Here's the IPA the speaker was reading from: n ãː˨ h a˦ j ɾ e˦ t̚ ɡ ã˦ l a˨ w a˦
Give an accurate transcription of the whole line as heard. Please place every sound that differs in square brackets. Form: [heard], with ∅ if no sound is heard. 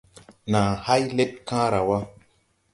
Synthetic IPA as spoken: n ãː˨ h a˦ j [l] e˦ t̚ [k] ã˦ [ɾ] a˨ w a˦